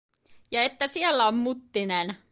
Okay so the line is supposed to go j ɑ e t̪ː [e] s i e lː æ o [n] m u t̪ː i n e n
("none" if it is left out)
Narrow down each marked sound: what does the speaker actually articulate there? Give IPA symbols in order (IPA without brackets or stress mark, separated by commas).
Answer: æ, m